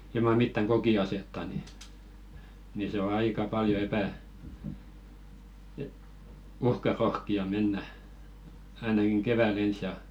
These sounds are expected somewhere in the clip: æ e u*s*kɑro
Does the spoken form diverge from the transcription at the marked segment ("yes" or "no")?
yes